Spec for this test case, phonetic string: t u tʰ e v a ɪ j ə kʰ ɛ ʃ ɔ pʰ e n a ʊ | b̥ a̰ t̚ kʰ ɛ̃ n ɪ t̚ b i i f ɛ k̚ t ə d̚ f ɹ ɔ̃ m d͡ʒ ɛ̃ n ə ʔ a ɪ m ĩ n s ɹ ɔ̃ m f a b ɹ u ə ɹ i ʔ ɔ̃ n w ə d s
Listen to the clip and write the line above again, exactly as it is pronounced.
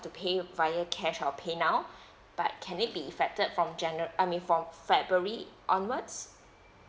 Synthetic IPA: t u pʰ e v a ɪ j ə kʰ ɛ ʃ ɔ pʰ e n a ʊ | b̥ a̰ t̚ kʰ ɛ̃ n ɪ t̚ b i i f ɛ k̚ t ə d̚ f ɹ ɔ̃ m d͡ʒ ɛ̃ n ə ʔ a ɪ m ĩ n f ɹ ɔ̃ m f ɛ b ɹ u ə ɹ i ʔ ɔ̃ n w ə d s